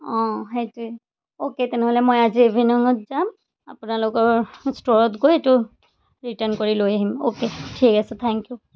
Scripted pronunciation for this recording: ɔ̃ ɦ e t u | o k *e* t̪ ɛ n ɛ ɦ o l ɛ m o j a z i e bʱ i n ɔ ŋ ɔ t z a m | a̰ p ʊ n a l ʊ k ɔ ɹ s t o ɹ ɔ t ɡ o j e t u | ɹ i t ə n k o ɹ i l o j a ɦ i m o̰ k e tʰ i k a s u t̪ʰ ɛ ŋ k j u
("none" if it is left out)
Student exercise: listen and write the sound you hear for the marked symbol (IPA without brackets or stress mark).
e